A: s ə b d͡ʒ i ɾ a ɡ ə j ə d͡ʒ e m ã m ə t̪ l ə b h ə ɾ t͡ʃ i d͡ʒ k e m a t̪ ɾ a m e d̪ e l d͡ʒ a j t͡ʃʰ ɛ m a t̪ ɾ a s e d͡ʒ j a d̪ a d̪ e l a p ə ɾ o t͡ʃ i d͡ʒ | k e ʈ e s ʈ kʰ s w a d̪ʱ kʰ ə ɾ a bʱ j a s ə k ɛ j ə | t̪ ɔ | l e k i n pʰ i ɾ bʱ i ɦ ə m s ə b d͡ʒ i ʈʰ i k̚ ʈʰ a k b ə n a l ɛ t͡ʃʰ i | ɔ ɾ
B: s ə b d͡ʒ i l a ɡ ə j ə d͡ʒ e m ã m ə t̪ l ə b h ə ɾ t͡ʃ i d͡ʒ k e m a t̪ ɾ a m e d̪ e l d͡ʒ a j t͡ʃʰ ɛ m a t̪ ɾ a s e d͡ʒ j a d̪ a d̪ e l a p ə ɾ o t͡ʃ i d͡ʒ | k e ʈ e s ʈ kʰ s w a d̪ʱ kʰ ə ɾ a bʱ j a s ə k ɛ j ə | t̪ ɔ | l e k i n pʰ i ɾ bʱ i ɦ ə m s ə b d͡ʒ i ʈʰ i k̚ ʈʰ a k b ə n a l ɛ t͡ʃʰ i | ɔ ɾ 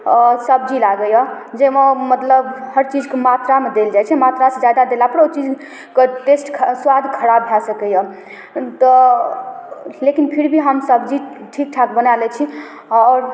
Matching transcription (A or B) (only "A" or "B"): B